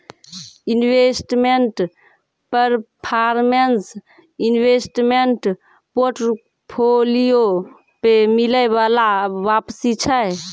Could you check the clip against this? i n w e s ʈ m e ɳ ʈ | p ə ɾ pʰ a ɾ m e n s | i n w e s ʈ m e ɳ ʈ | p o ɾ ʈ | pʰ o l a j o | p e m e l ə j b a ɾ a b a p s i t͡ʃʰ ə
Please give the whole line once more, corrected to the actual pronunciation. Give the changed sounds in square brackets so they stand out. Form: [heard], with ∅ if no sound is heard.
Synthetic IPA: i n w e s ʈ m e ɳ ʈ | p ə ɾ pʰ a ɾ m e n s | i n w e s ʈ m e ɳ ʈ | p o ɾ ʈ | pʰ o l [i] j o | p e m [i] l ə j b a [l] a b a p s i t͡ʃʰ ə